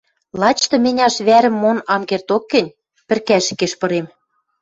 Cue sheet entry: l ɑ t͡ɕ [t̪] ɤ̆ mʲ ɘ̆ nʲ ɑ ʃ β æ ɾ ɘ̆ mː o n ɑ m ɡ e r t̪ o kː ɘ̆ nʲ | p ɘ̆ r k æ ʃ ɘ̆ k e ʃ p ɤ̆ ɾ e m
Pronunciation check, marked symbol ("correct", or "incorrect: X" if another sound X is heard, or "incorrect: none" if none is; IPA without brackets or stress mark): correct